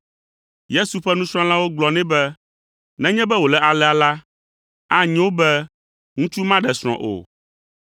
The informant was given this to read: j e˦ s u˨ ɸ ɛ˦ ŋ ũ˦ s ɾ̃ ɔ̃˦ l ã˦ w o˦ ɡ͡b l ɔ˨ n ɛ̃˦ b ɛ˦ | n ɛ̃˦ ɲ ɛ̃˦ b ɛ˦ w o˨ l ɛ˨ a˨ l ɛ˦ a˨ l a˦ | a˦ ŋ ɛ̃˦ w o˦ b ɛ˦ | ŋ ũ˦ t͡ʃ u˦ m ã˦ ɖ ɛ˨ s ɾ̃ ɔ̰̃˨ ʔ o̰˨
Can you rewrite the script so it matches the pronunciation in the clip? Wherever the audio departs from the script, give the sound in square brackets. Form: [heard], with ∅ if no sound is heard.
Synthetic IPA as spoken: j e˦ s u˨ ɸ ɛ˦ [n] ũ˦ s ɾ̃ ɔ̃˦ l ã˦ w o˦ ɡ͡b l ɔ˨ n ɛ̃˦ b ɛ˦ | n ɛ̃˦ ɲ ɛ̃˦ b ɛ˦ w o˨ l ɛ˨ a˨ l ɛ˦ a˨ l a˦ | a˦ [ɲ] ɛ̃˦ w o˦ b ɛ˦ | ŋ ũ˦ t͡ʃ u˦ m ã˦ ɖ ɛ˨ s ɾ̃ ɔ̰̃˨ ʔ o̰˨